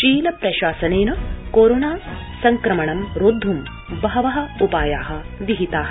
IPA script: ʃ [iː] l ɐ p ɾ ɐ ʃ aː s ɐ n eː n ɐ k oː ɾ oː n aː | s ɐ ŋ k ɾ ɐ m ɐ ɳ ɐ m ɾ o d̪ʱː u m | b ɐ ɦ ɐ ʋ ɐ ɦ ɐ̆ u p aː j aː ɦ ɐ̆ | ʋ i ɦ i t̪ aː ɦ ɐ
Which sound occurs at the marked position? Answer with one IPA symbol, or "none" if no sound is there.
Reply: iː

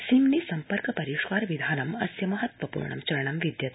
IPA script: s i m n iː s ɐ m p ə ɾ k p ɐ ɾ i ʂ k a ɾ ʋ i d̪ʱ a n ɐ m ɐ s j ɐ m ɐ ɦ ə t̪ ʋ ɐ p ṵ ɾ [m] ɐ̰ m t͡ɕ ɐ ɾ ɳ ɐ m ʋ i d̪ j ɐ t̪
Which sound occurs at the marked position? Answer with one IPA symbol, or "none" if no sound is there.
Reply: ɳ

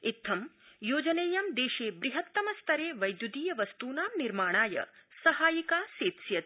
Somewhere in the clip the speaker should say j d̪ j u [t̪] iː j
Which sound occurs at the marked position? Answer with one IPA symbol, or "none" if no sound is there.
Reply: d̪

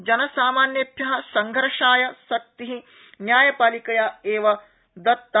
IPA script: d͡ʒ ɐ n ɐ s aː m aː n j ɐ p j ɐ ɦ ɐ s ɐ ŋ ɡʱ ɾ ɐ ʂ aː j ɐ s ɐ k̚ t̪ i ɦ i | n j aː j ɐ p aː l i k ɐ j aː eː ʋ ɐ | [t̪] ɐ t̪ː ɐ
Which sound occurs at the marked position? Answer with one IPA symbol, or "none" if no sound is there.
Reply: d̪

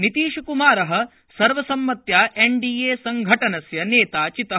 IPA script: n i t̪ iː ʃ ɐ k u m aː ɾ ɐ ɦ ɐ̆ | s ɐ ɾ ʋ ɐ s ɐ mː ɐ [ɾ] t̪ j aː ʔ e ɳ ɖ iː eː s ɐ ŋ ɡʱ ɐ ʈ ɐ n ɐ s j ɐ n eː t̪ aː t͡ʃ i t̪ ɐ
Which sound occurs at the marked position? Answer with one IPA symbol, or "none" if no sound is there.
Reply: none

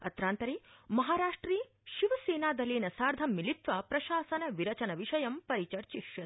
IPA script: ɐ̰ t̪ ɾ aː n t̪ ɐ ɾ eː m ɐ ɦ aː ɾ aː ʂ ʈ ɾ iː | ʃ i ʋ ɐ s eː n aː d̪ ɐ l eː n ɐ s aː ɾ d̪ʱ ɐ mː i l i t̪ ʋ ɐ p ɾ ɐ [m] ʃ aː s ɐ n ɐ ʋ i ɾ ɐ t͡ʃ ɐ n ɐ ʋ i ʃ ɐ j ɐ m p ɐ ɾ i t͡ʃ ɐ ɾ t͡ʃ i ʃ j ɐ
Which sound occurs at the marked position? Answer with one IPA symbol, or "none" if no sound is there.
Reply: none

